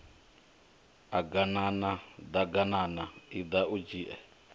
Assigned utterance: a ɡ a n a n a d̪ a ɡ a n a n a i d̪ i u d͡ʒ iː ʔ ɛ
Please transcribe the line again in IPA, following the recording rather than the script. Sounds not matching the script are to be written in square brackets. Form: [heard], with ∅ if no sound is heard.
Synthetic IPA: a ɡ a n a n a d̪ a ɡ a n a n a i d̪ [a] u d͡ʒ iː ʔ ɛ